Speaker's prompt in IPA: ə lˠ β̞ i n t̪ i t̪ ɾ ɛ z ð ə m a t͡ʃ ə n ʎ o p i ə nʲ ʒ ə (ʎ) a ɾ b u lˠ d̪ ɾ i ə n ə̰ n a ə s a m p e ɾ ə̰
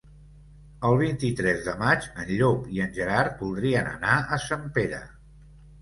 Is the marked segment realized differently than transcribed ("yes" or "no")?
yes